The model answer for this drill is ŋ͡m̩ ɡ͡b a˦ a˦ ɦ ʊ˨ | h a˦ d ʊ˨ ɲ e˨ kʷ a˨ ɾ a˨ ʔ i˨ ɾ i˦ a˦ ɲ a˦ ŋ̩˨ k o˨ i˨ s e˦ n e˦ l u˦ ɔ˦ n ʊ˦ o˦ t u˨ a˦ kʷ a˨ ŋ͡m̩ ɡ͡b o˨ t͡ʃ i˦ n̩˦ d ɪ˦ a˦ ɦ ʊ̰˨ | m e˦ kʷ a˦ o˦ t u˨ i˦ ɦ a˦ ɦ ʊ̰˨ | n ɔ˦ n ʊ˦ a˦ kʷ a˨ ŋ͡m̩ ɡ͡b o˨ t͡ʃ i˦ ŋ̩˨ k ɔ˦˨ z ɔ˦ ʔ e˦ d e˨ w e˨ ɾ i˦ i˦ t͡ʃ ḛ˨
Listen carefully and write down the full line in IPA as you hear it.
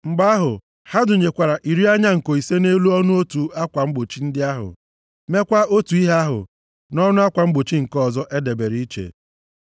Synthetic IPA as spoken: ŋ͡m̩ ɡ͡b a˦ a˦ ɦ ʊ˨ | h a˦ d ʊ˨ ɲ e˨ kʷ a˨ ɾ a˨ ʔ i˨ ɾ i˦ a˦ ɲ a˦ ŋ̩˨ k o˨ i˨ s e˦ n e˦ l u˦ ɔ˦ n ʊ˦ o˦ t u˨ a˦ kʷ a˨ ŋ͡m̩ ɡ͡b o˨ t͡ʃ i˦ n̩˦ d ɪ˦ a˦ ɦ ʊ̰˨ | m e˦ kʷ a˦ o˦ t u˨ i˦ ɦ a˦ ɦ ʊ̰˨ | n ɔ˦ n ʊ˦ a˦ kʷ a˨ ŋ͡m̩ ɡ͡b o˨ t͡ʃ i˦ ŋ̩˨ k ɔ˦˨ z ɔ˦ ʔ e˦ d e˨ b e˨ ɾ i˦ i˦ t͡ʃ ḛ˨